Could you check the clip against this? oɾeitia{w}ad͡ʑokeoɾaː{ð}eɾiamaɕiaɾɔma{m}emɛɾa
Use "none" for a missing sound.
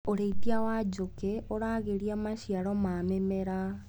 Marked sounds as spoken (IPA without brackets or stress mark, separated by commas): w, ɣ, m